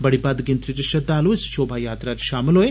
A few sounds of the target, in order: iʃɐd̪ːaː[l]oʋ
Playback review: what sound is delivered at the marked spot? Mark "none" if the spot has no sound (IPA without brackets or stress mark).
l